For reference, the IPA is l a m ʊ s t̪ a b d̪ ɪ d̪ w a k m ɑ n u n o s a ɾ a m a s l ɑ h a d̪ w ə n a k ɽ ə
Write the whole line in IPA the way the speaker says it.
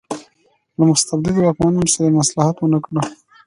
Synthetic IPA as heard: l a m ʊ s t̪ a b d̪ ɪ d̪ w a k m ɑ n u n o s a ɾ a m a s l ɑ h a t̪ w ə n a k ɽ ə

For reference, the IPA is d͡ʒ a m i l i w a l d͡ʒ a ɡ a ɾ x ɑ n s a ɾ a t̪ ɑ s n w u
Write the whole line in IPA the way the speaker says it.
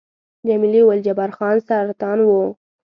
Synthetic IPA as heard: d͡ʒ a m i l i w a l d͡ʒ a b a ɾ x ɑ n s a ɾ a t̪ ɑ n w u

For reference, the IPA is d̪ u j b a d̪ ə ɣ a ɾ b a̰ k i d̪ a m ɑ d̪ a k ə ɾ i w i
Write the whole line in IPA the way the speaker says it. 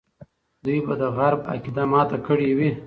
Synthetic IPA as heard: d̪ u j b a d̪ ə ɣ a ɾ b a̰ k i d̪ a m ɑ t̪ a k ə ɽ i w i

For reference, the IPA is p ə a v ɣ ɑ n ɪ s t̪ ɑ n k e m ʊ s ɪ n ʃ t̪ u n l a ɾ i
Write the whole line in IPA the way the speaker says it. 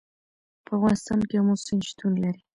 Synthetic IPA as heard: p ə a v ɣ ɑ n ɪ s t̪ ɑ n k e m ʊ s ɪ n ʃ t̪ u n l a ɾ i

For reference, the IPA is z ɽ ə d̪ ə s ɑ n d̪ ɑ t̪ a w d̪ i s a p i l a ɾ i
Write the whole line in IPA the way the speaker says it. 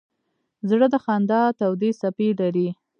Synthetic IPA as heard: z ɽ ə d̪ ə x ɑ n d̪ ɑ t̪ a w d̪ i s a p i l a ɾ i

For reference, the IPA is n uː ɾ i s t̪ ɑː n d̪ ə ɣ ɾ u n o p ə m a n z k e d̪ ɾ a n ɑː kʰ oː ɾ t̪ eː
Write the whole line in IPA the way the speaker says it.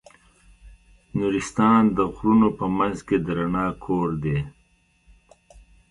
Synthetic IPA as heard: n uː ɾ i s t̪ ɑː n d̪ ə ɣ ɾ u n o p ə m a n z k e d̪ ɾ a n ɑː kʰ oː ɾ d̪ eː

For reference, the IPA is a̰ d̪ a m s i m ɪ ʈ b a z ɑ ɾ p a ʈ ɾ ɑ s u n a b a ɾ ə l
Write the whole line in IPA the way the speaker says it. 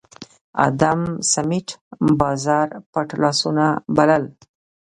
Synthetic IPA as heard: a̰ d̪ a m s a m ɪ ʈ b ɑ z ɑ ɾ p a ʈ l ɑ s u n a b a l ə l

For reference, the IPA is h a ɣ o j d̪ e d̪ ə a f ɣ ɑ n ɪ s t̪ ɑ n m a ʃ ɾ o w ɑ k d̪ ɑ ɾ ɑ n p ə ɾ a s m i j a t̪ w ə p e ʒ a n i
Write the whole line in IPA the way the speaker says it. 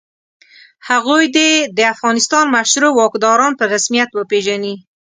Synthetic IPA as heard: h a ɣ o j d̪ e d̪ ə a f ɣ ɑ n ɪ s t̪ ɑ n m a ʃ ɾ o w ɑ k d̪ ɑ ɾ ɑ n p ə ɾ a s m i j a t̪ w ə p e ʒ a n i

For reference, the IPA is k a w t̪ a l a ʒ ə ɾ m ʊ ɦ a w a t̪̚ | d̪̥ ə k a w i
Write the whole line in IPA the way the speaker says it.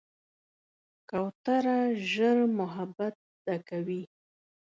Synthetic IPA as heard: k a w t̪ a ɾ a ʒ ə ɾ m ʊ ɦ a b a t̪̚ | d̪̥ a k a w i

